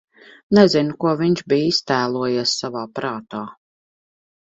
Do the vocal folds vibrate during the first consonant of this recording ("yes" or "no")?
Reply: yes